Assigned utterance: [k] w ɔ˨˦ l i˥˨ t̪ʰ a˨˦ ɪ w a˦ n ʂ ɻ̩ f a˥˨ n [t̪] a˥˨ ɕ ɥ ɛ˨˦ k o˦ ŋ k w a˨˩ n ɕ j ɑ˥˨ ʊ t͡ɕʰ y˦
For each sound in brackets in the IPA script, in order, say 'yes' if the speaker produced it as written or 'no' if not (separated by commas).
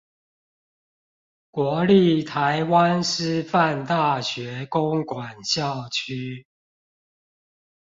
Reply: yes, yes